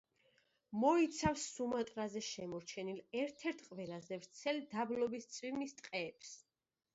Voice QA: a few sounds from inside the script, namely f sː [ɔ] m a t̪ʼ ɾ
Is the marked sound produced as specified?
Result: no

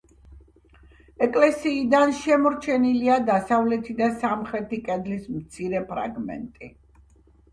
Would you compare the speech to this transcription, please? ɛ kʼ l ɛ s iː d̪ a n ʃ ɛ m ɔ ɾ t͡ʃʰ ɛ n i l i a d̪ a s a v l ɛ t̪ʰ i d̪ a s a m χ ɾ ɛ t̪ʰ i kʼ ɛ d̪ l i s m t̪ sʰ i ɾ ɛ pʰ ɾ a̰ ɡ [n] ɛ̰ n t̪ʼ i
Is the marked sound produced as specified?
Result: no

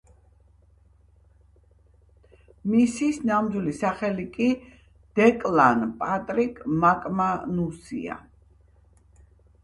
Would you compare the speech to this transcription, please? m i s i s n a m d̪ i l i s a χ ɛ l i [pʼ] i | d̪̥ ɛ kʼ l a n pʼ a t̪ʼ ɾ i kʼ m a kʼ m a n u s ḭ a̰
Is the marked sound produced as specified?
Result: no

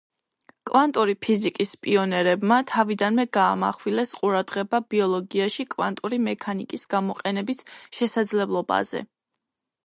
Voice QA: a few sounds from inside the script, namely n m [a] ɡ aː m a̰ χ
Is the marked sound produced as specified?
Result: no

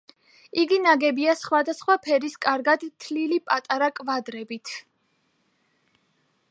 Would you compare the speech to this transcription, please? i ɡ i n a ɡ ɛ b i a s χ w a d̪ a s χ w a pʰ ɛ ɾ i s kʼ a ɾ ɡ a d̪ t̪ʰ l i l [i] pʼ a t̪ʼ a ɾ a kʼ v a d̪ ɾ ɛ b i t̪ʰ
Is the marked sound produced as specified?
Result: yes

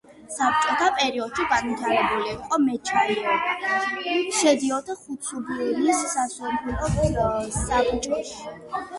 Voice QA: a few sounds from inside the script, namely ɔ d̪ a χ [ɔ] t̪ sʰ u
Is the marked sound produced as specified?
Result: no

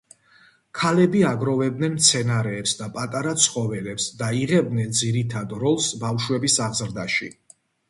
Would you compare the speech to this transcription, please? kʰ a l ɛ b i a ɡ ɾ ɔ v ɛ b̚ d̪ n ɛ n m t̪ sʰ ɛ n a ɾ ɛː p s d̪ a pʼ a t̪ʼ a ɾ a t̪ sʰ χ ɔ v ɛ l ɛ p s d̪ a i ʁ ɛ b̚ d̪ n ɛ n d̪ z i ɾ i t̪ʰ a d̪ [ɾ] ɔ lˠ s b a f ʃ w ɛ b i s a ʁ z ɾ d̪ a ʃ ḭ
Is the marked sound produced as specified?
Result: yes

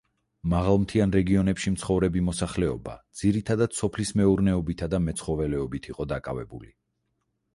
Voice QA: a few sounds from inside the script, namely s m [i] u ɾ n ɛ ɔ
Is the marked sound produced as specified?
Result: no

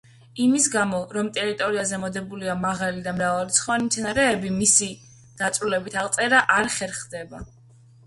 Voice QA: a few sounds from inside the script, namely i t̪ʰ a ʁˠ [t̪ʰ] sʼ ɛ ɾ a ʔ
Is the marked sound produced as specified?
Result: no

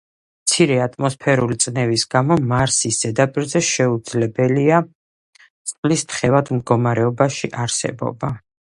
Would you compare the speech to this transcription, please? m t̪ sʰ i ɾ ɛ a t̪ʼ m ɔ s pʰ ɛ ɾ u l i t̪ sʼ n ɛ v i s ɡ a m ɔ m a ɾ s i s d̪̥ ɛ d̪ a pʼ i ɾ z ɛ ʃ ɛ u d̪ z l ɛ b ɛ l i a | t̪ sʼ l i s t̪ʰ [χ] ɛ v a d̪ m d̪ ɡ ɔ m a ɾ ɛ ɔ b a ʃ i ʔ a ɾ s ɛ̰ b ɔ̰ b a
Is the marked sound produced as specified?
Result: yes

